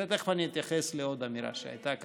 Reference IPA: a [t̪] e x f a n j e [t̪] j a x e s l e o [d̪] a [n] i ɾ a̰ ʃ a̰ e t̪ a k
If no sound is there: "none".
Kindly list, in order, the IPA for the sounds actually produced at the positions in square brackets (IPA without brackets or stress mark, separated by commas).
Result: t̪, t̪, d̪, m